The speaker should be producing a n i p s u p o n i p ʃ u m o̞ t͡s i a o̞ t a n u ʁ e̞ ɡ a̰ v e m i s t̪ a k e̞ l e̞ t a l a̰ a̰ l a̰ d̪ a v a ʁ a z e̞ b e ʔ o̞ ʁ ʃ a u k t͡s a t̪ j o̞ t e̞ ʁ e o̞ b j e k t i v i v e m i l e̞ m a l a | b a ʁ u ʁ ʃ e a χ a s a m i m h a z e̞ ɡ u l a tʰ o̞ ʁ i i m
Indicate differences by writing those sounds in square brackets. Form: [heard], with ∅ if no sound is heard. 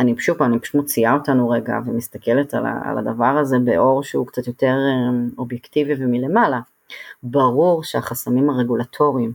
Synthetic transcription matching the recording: a n i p [ʃ] u p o n i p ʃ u m o̞ t͡s i a o̞ t a n u ʁ e̞ ɡ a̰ v e m i s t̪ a k e̞ l e̞ t a l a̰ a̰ l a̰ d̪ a v a ʁ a z e̞ b e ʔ o̞ ʁ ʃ [e] u k t͡s a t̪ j o̞ t e̞ ʁ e o̞ b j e k t i v i v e m i l e̞ m a l a | b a ʁ u ʁ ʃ e a χ a s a m i m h a [ʁ] e̞ ɡ u l a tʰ o̞ ʁ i i m